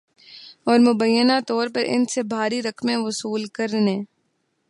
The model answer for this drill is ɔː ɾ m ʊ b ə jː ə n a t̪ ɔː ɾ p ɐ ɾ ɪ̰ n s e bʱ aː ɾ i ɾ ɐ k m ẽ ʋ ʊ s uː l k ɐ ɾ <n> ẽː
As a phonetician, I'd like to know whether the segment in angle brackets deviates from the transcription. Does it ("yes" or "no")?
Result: no